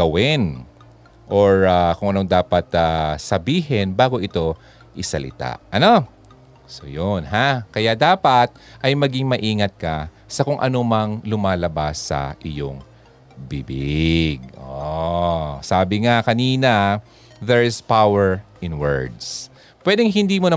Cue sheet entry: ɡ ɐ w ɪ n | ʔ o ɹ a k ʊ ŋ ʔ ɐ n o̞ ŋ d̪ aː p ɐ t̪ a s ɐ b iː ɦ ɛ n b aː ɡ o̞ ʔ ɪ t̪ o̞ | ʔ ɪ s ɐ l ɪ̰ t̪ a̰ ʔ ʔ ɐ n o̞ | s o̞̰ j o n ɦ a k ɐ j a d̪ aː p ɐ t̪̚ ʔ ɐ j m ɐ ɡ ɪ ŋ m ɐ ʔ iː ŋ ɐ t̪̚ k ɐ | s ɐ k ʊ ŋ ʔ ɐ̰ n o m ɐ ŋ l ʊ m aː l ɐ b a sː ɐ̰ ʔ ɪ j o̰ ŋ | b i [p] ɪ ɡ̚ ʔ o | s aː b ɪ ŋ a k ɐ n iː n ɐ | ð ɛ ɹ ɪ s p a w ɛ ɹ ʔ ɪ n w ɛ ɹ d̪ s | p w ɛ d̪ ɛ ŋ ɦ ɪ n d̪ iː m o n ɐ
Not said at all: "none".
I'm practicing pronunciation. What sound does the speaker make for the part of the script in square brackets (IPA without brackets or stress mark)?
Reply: b